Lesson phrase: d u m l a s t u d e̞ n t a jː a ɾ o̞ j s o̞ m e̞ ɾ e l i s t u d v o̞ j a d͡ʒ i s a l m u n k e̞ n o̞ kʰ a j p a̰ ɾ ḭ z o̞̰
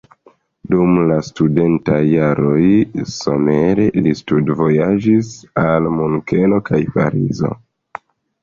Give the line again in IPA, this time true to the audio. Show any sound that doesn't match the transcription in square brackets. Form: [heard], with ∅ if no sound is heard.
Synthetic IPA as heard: d u m l a s t u d e̞ n t a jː a ɾ o̞ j s o̞ m e̞ ɾ e l i s t u d v o̞ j a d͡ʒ i s a l m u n k e̞ n o̞ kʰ a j p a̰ ɾ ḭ z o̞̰